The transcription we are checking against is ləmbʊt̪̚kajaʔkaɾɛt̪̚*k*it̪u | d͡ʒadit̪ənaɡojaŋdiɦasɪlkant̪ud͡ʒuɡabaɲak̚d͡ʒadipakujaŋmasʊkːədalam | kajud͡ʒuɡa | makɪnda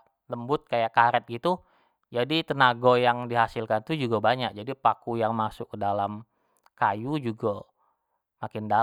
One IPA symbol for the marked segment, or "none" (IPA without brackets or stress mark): ɡ